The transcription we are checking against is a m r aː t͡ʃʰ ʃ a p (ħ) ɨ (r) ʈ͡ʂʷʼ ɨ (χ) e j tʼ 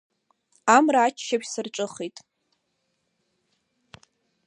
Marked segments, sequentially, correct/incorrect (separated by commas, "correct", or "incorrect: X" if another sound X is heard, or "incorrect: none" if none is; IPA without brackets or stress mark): incorrect: s, correct, correct